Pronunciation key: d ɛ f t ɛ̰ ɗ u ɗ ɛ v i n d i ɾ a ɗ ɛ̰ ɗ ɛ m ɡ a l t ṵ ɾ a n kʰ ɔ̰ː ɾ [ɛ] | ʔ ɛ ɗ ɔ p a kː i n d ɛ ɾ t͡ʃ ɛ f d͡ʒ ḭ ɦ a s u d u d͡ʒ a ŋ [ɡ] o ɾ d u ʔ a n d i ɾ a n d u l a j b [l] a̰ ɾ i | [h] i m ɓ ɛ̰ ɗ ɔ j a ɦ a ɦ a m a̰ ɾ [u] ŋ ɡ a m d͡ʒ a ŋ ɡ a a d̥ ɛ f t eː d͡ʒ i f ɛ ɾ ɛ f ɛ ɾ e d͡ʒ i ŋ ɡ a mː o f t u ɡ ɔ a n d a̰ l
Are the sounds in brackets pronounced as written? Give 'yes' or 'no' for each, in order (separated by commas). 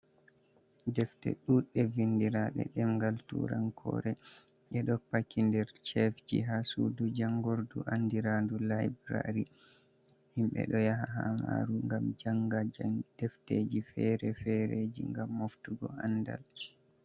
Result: yes, yes, no, yes, yes